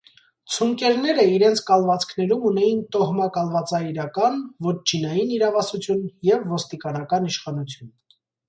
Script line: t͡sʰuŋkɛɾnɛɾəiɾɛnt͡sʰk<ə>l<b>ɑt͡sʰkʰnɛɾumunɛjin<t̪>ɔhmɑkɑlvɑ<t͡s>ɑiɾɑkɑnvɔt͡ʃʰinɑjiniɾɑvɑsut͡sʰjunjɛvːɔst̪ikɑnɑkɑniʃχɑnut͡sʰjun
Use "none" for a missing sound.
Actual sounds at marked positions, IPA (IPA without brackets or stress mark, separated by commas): ɑ, v, t̪, t͡s